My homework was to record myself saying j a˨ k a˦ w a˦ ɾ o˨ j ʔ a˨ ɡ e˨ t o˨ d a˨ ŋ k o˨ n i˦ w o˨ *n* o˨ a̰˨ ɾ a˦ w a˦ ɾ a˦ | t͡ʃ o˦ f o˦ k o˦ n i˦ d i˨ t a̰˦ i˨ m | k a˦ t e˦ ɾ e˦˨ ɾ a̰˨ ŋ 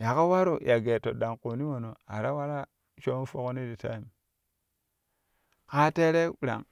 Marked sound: correct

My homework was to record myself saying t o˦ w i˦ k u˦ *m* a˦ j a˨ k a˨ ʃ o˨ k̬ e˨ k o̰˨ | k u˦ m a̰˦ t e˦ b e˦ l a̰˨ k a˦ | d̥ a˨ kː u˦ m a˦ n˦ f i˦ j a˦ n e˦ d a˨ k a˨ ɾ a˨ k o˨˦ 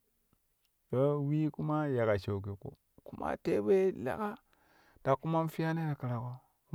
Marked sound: correct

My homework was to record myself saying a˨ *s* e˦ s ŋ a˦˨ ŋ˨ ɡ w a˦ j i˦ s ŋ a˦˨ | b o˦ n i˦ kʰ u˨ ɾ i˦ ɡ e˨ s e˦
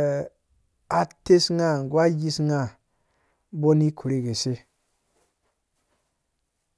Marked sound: incorrect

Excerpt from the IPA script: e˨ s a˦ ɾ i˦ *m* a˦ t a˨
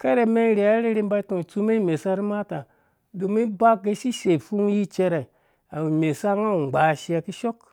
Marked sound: correct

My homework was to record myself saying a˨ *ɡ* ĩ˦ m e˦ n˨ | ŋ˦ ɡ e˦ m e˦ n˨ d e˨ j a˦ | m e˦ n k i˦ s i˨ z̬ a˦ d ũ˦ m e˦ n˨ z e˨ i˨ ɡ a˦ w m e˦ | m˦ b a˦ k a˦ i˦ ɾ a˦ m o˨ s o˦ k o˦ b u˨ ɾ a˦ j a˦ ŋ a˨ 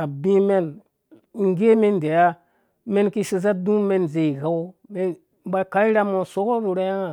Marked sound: incorrect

